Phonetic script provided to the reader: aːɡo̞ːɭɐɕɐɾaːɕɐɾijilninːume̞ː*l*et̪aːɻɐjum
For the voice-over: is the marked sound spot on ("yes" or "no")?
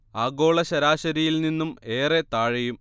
no